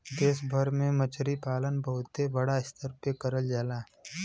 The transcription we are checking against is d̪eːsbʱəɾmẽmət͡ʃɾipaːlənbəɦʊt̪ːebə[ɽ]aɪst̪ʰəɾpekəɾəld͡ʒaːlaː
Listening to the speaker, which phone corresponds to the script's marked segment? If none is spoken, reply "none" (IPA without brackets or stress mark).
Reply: ɽ